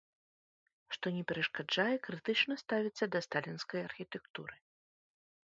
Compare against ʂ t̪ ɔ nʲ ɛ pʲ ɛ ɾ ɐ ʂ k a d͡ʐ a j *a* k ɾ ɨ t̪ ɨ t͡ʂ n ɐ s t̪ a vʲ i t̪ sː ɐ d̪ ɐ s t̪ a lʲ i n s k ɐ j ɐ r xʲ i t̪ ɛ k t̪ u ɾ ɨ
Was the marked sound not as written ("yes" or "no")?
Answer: yes